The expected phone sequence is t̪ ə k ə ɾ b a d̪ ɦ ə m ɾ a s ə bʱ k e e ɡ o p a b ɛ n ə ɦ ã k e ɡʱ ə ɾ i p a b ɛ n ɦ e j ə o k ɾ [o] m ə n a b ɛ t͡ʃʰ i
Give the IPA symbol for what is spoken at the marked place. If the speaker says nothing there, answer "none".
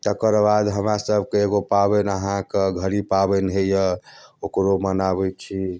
o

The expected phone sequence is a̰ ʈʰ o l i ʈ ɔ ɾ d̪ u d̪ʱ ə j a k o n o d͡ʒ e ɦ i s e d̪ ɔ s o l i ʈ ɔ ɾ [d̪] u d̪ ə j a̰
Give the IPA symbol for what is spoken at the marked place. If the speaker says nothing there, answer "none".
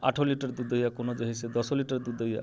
d̪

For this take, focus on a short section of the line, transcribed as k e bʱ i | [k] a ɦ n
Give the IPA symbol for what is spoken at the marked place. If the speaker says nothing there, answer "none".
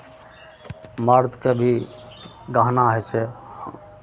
ɡ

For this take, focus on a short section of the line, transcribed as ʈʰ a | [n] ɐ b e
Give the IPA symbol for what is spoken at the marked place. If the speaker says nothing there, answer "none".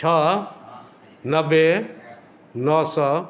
n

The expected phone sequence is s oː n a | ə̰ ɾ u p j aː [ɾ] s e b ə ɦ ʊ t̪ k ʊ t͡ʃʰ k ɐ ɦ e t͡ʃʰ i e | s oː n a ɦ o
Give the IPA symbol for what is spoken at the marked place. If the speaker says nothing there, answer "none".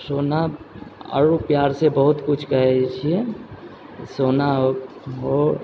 ɾ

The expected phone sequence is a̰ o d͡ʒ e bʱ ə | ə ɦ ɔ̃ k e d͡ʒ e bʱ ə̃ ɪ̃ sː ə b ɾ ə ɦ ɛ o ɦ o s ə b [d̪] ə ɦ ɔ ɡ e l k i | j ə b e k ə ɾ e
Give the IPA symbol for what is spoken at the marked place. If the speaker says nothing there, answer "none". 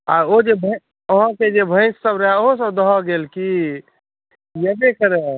d̪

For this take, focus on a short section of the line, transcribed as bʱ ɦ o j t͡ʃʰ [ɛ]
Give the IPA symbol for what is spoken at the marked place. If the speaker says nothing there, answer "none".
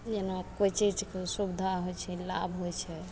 ɛ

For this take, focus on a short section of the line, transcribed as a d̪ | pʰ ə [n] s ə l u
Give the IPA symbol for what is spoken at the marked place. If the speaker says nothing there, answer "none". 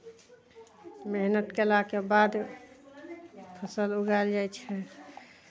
none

